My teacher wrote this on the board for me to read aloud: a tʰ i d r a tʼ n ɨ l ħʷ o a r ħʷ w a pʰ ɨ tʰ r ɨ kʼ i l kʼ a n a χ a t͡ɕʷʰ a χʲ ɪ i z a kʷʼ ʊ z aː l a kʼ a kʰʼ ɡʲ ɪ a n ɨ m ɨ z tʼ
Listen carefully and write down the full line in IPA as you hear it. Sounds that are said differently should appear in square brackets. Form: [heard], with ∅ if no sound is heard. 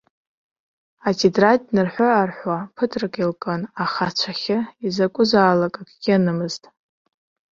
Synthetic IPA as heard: a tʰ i d r a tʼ n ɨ [r] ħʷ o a r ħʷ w a pʰ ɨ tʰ r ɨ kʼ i l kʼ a n a χ a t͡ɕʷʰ a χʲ ɪ i z a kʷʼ ʊ z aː l a kʼ a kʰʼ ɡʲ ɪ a n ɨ m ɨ z tʼ

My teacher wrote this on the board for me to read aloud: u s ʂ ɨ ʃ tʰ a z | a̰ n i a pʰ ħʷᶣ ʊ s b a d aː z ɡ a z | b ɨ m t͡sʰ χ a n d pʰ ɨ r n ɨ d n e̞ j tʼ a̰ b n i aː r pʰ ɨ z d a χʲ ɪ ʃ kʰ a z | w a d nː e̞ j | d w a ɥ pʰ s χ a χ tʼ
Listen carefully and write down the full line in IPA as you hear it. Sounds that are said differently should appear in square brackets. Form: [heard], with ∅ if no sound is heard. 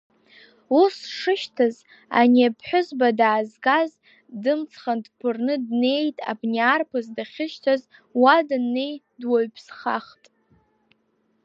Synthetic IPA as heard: u s ʂ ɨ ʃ tʰ a z | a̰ n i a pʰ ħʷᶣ ʊ [z] b a d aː z ɡ a z | [d] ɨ m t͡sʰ χ a n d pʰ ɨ r n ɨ d n e̞ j tʼ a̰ b n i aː r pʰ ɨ z d a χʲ ɪ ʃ [tʰ] a z | w a d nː e̞ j | d w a ɥ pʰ s χ a χ tʼ

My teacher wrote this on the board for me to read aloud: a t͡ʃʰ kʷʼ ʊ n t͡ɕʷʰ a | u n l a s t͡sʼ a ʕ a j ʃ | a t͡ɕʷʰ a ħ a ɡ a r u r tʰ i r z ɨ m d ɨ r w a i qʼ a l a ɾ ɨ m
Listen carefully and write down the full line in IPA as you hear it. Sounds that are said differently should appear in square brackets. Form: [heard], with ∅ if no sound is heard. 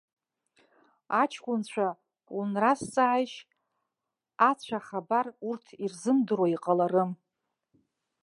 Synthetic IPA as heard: a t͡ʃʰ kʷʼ ʊ n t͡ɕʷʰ a | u n [r] a s t͡sʼ a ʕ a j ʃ | a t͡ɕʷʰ a [χ] a [b] a r u r tʰ i r z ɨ m d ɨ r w a i qʼ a l a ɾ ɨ m

